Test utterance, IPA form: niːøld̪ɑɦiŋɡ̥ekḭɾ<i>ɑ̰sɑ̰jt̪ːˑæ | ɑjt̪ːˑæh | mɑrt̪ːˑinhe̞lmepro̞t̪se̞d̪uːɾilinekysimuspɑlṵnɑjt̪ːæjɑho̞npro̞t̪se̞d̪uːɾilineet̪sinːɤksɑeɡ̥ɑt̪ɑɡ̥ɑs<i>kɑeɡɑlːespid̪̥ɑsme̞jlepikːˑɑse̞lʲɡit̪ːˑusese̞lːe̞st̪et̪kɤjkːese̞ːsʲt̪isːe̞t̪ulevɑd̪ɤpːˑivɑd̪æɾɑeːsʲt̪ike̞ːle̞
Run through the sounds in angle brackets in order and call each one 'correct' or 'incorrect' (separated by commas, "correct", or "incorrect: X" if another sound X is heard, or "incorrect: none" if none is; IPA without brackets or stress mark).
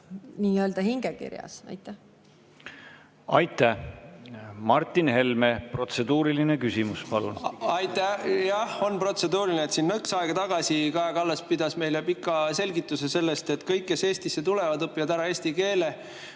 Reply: incorrect: j, correct